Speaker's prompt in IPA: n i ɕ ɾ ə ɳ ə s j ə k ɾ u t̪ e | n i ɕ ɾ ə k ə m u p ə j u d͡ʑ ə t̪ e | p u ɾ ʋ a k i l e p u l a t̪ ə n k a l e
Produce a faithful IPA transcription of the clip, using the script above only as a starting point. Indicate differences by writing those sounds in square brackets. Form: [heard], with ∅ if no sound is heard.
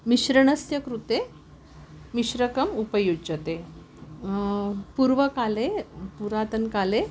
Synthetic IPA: [m] i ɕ ɾ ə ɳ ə s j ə k ɾ u t̪ e | [m] i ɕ ɾ ə k ə m u p ə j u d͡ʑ ə t̪ e | p u ɾ ʋ [ə] k [a] l e p u [ɾ] a t̪ ə n k a l e